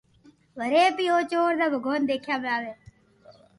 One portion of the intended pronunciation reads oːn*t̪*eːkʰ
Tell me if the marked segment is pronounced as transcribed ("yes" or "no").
no